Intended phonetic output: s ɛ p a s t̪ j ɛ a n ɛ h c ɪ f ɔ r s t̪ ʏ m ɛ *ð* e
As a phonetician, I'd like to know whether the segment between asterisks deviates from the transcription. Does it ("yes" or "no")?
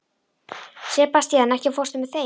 yes